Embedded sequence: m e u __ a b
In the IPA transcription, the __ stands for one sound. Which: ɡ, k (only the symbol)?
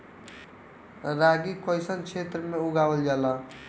ɡ